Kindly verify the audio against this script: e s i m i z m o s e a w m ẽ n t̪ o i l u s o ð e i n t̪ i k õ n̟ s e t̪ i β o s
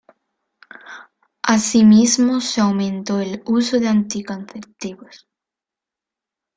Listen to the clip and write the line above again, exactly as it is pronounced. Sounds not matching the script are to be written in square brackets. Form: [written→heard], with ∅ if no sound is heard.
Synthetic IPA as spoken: [e→a] s i m i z m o s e a w m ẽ n t̪ o [i→e] l u s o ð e [i→a] n t̪ i k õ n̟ [s→θ] e t̪ i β o s